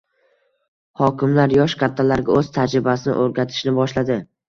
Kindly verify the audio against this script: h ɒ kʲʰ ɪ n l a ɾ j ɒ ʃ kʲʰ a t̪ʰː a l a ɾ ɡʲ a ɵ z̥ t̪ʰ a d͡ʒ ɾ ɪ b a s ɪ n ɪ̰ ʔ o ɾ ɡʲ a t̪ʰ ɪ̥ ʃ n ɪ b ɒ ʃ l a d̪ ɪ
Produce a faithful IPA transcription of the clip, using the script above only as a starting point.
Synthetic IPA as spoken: h ɒ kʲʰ ɪ m l a ɾ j ɒ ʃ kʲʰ a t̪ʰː a l a ɾ ɡʲ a ɵ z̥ t̪ʰ a d͡ʒ ɾ ɪ b a s ɪ n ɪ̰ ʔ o ɾ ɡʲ a t̪ʰ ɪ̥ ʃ n ɪ b ɒ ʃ l a d̪ ɪ